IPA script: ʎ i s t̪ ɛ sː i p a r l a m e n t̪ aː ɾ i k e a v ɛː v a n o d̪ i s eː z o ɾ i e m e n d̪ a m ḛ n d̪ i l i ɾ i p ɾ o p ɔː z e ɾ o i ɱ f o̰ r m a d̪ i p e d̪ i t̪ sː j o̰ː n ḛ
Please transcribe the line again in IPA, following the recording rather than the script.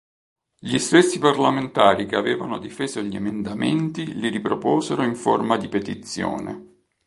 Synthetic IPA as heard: ʎ i s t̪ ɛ sː i p a r l a m e n t̪ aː ɾ i k e a v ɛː v a n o d̪ i f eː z o ʎ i e m e n d̪ a m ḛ n t̪ i l i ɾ i p ɾ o p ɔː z e ɾ o i ɱ f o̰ r m a d̪ i p e t̪ i t̪ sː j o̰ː n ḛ